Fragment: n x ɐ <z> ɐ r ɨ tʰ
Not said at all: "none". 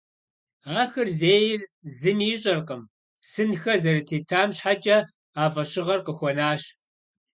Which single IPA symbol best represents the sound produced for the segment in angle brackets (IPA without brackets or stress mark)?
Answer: z